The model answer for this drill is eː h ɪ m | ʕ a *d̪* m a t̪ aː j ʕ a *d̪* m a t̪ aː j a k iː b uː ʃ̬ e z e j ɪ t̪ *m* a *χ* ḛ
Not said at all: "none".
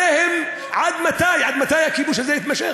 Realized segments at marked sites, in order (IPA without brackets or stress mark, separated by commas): d̪, d̪, m, ʃ